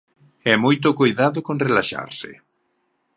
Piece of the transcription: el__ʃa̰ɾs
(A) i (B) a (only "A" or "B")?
B